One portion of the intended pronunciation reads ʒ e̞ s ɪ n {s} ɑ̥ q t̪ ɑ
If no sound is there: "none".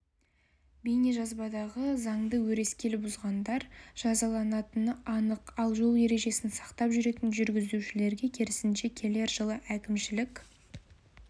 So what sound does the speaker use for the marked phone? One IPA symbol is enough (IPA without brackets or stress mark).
s